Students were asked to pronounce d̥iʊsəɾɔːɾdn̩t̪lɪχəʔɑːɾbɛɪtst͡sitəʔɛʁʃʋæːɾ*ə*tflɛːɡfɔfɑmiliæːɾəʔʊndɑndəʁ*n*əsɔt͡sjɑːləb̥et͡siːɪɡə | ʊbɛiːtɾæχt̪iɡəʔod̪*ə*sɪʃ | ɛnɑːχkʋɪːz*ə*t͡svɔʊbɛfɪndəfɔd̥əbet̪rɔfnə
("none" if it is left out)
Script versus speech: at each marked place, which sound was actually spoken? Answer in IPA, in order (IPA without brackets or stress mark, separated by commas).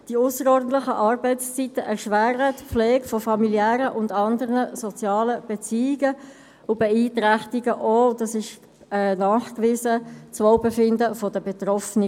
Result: ə, n, ɑ, ə